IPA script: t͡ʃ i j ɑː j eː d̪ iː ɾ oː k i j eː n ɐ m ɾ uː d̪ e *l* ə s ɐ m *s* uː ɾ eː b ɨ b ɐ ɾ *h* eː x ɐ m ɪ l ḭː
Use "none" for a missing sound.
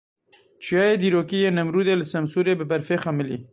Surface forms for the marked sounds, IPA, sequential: l, s, f

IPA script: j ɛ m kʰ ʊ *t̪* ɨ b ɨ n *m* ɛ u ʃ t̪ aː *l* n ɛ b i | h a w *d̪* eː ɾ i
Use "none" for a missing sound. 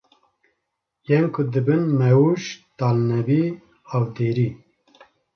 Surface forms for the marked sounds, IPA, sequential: d̪, m, l, d̪

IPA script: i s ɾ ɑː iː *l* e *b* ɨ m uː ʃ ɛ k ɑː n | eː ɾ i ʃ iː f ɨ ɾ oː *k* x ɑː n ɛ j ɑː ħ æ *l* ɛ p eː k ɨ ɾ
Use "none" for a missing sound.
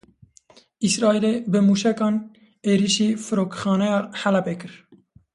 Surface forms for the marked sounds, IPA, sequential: l, b, k, l

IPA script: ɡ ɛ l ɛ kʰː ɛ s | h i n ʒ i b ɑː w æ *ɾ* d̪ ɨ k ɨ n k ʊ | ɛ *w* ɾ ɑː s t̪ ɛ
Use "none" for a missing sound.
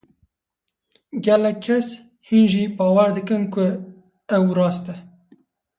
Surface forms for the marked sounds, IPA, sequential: ɾ, w

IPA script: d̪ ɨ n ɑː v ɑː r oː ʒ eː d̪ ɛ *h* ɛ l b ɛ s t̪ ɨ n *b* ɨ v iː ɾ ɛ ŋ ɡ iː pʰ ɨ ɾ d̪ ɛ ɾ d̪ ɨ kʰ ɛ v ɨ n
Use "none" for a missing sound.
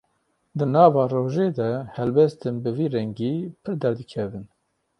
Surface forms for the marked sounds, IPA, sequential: h, b

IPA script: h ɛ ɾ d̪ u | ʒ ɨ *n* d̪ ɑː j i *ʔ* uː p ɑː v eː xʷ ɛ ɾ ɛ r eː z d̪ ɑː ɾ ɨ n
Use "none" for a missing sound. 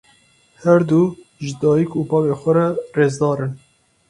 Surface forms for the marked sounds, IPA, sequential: none, k

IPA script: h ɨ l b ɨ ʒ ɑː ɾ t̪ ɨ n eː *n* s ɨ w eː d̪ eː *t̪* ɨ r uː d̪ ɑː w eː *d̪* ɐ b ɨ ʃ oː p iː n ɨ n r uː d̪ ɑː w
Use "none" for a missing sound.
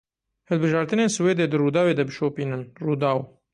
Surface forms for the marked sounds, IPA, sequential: n, d̪, d̪

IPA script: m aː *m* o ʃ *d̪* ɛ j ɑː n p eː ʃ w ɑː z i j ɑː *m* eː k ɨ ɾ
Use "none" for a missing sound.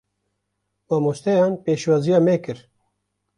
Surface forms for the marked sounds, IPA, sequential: m, t̪, m

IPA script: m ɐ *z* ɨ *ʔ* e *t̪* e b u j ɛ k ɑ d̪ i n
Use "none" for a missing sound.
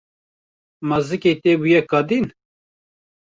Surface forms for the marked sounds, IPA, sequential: z, k, t̪

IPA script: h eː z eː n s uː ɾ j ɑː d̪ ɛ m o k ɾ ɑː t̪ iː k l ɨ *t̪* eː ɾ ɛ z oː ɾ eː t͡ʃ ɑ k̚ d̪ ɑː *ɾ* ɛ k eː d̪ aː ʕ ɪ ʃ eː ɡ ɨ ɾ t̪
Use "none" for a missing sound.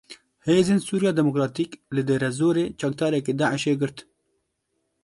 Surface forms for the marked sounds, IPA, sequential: d̪, ɾ

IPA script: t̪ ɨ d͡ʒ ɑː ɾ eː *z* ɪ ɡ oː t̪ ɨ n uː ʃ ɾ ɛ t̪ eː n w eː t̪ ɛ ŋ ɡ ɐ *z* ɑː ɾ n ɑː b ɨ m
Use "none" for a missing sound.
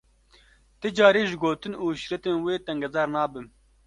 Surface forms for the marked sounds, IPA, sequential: ʒ, z

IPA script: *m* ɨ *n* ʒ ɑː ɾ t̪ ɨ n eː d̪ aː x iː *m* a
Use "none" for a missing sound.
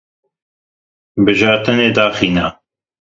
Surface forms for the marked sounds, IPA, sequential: b, none, n

